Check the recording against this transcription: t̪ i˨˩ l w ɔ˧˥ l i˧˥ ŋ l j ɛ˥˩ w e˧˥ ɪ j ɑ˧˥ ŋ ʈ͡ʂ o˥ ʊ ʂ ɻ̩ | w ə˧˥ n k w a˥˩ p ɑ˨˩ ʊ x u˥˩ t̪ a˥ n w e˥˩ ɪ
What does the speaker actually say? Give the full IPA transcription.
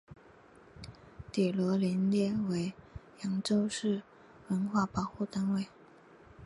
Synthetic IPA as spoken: t̪ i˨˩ l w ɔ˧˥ l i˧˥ n l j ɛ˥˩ w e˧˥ ɪ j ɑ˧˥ ŋ ʈ͡ʂ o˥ ʊ ʂ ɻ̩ | w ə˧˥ n x w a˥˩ p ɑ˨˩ ʊ x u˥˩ t̪ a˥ n w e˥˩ ɪ